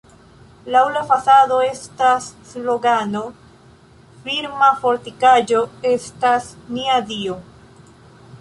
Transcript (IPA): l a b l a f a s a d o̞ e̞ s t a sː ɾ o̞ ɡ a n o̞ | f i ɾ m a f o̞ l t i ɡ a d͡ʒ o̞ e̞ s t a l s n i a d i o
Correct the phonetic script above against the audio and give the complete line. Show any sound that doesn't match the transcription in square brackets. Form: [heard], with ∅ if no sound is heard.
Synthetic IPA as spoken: l a [w] l a f a s a d o̞ e̞ s t a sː [l] o̞ ɡ a n o̞ | f i ɾ m a f o̞ [ɾ] t i [k] a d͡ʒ o̞ e̞ s t a [∅] s n i a d i o